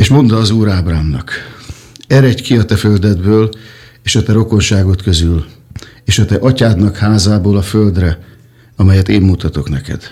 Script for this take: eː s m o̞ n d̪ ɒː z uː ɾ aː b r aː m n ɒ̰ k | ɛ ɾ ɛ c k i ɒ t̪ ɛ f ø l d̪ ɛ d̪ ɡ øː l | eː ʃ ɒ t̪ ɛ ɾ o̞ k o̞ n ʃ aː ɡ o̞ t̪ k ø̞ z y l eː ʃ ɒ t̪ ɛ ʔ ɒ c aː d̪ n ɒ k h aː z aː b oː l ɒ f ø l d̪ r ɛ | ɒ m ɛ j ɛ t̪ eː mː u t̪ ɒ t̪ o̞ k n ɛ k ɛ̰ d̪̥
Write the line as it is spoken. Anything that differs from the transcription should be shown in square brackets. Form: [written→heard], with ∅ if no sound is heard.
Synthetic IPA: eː [s→ʃ] m o̞ n d̪ ɒː z uː ɾ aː b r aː m n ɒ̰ k | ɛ ɾ ɛ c k i ɒ t̪ ɛ f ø l d̪ ɛ d̪ [ɡ→b] øː l | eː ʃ ɒ t̪ ɛ ɾ o̞ k o̞ n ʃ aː ɡ o̞ t̪ k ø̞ z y l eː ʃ ɒ t̪ ɛ ʔ ɒ c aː d̪ n ɒ k h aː z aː b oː l ɒ f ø l d̪ r ɛ | ɒ m ɛ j ɛ t̪ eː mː u t̪ ɒ t̪ o̞ k n ɛ k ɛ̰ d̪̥